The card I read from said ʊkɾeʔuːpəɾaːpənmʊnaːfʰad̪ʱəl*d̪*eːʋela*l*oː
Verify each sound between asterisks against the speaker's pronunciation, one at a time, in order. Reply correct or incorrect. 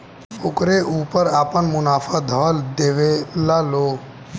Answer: correct, correct

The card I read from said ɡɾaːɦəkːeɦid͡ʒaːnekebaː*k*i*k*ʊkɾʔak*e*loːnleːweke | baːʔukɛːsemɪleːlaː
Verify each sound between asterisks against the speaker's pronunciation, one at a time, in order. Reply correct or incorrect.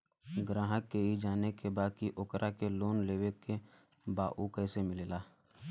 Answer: correct, incorrect, correct

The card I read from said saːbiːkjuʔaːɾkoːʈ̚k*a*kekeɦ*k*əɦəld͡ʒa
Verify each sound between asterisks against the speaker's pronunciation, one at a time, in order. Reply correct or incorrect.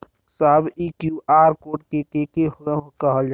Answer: incorrect, correct

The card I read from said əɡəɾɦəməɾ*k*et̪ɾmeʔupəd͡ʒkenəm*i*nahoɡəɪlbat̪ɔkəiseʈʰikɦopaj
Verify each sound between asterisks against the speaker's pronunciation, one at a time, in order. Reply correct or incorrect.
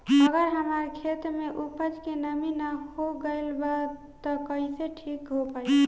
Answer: incorrect, correct

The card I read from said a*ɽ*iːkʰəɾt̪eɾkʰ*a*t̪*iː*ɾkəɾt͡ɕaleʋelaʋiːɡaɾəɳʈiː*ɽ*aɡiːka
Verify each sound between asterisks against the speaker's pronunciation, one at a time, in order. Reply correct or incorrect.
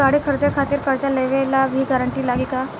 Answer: correct, correct, correct, incorrect

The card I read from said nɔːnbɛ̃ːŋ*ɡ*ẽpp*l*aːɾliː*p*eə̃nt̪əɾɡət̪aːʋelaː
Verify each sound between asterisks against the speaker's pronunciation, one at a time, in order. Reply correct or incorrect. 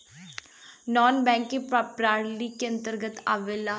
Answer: incorrect, incorrect, incorrect

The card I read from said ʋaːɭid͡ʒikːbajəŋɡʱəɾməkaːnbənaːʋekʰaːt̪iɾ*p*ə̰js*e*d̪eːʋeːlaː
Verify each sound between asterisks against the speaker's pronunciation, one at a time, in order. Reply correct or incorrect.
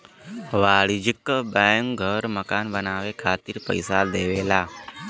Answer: correct, incorrect

